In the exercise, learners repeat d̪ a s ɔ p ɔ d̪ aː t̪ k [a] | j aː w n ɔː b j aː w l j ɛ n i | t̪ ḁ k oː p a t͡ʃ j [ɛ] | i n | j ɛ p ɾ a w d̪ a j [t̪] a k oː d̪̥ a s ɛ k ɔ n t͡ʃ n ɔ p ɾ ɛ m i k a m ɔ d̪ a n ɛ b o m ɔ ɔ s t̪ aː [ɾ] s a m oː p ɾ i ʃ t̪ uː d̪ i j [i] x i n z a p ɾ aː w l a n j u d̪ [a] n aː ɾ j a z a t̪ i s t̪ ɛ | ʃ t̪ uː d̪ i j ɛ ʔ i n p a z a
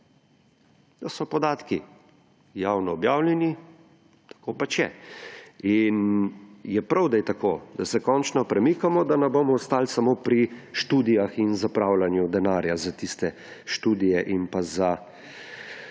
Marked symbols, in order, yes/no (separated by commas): no, yes, yes, no, no, no